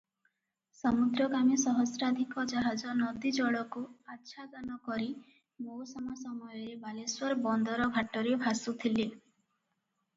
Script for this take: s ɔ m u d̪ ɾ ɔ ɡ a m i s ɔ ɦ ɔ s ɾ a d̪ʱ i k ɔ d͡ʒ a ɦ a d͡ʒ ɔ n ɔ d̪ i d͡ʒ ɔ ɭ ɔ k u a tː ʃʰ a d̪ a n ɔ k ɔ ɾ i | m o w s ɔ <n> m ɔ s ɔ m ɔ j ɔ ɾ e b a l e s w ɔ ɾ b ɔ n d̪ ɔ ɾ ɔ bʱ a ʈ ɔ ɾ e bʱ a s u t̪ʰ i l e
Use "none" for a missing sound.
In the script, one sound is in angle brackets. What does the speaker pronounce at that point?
none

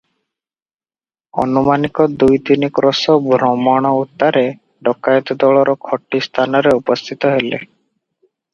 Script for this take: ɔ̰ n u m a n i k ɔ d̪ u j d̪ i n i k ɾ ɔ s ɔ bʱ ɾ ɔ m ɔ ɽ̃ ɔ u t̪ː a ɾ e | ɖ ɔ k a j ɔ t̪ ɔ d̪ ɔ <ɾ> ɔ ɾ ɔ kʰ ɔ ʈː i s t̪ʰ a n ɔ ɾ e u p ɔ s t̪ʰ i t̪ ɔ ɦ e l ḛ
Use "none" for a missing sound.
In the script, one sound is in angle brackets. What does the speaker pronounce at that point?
ɭ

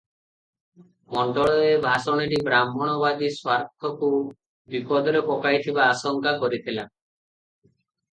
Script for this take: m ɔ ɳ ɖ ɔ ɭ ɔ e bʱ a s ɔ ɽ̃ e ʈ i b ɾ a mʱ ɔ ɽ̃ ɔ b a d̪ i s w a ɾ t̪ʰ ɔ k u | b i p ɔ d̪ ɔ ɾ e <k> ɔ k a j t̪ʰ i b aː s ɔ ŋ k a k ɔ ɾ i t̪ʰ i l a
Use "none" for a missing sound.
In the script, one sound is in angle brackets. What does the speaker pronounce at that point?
p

